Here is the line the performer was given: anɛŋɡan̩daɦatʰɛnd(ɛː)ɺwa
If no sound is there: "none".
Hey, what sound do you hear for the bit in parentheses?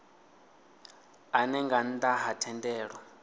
ɛː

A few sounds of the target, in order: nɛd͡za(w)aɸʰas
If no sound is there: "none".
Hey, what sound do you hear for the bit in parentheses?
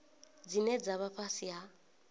β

